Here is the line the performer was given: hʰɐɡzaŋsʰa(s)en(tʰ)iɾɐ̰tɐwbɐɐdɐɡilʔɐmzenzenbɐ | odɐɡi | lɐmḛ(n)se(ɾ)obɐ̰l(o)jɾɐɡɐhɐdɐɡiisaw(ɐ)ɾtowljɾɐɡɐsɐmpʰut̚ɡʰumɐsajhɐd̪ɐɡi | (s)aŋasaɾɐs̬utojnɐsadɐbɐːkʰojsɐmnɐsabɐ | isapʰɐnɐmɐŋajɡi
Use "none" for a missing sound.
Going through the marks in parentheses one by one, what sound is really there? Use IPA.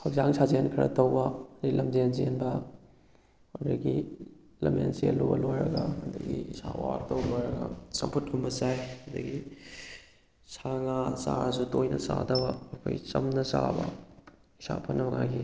z, kʰ, n, l, o, a, s

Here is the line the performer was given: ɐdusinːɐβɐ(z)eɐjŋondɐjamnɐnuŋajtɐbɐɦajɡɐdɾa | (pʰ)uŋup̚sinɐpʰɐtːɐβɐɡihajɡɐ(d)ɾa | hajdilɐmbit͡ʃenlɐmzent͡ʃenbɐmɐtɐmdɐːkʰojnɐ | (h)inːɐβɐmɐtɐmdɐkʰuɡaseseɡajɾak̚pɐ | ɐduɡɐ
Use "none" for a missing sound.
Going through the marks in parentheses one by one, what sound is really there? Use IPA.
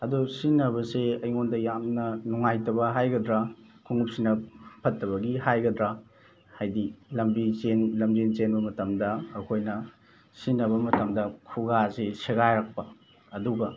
s, kʰ, d, s

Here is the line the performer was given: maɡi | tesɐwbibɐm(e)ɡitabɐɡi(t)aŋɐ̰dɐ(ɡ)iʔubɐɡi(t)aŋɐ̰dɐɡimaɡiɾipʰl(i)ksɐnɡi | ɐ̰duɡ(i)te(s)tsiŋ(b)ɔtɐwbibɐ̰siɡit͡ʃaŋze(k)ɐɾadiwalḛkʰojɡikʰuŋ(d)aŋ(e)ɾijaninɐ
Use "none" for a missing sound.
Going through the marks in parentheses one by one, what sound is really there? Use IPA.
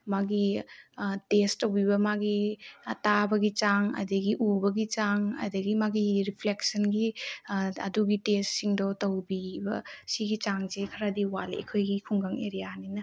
a, t͡ʃ, ɡ, t͡ʃ, e, i, s, d, kʰ, ɡ, e

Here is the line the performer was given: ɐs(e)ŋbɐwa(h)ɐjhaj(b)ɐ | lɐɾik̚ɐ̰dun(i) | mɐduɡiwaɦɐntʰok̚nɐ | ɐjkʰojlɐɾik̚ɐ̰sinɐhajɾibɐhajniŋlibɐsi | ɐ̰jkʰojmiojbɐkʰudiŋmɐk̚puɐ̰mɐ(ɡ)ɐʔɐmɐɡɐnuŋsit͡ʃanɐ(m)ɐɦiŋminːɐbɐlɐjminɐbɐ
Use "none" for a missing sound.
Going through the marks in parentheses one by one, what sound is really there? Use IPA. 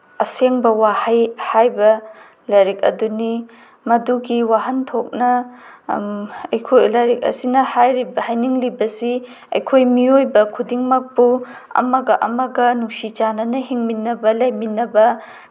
e, h, b, i, ɡ, n

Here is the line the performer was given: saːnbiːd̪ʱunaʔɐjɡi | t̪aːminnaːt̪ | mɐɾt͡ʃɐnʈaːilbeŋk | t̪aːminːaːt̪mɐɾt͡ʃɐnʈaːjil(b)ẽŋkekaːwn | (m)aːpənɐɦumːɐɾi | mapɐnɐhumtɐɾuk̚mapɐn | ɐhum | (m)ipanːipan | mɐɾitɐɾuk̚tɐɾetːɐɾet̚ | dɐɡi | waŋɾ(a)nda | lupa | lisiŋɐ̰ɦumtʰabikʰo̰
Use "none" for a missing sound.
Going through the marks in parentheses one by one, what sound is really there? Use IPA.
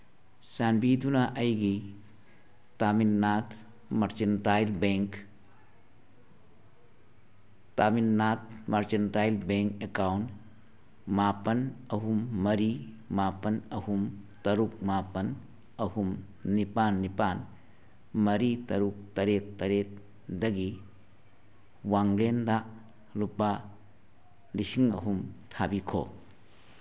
b, m, n, e

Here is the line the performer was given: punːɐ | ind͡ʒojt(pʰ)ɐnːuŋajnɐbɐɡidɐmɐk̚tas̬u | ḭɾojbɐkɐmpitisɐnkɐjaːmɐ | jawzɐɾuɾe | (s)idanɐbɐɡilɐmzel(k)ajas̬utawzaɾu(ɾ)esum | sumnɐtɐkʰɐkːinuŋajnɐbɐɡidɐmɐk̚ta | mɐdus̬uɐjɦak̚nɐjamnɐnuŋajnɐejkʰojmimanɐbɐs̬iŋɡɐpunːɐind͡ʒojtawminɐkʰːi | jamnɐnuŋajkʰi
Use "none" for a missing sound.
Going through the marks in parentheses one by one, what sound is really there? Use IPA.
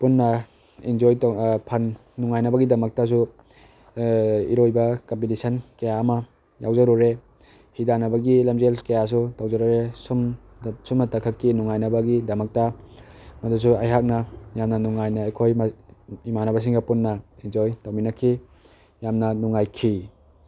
pʰ, h, k, ɾ

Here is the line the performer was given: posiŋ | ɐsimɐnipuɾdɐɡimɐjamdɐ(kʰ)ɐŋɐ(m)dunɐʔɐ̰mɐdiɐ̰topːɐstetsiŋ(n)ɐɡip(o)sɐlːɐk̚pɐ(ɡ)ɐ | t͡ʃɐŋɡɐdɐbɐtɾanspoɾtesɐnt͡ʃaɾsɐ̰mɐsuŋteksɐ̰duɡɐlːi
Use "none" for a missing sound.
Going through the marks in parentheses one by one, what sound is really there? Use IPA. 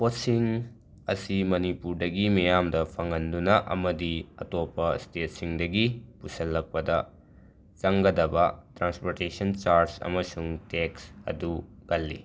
pʰ, n, d, u, d

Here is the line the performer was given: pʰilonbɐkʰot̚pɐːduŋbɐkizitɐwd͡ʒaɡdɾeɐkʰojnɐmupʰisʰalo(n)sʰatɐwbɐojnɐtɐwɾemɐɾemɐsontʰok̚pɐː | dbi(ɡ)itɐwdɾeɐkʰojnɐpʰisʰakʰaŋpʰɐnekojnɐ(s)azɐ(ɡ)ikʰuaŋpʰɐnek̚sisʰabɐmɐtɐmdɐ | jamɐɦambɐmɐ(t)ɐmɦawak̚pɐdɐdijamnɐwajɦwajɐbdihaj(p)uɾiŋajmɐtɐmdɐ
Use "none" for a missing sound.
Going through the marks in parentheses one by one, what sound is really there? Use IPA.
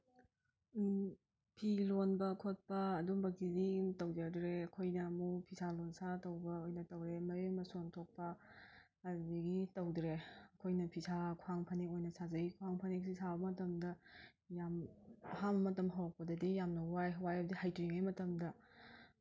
n, ɡ, s, ɡ, t, t

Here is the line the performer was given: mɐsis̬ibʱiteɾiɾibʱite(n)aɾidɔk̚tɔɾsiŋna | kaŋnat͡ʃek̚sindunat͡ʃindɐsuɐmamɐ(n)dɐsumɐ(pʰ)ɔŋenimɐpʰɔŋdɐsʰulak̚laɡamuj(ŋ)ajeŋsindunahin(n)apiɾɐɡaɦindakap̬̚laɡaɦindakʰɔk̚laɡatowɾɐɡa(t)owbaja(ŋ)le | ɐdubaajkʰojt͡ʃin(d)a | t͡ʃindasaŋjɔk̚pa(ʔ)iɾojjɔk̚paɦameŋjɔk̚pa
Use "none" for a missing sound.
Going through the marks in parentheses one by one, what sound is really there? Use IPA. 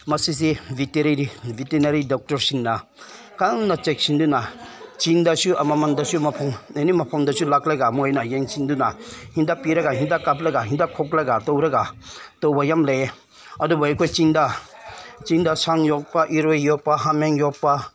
n, n, pʰ, n, d, t, m, d, ʔ

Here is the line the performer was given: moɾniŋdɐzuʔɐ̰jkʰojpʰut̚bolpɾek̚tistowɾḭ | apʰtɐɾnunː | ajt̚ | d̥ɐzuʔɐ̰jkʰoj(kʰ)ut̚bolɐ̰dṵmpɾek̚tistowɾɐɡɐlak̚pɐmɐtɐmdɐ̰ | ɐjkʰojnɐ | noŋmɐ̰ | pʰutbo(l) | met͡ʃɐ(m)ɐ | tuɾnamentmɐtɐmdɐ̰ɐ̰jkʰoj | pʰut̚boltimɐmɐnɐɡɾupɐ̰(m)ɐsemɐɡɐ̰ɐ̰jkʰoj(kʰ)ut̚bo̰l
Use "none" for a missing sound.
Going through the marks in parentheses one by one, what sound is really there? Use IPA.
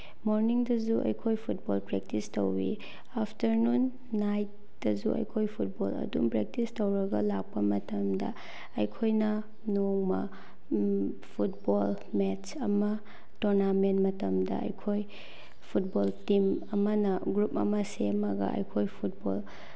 pʰ, l, m, m, pʰ

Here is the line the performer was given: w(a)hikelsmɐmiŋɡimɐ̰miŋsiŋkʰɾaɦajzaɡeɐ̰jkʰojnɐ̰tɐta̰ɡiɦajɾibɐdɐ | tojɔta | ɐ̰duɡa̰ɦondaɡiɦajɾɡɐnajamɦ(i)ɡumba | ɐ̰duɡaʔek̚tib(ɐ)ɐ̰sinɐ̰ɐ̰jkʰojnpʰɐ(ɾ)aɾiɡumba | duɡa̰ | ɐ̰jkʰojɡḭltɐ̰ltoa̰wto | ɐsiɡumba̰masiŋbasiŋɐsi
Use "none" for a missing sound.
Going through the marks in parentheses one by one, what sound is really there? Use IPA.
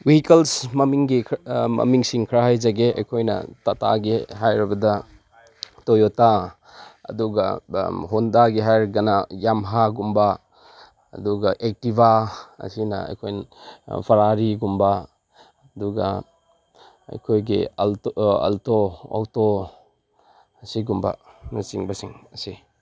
i, a, a, ɾ

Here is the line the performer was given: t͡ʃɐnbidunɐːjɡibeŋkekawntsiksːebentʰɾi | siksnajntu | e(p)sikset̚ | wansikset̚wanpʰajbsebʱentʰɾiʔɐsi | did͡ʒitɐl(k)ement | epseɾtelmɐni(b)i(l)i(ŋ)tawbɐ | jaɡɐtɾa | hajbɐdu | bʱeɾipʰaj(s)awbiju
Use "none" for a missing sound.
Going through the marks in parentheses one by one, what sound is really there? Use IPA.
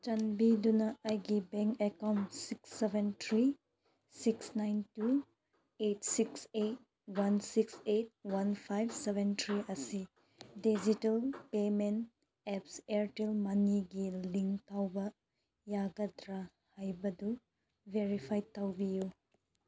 t, p, ɡ, l, ŋ, t

